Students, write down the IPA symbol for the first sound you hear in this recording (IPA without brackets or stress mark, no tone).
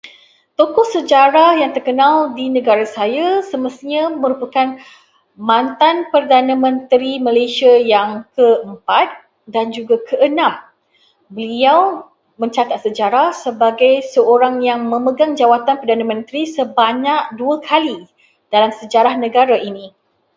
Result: t̪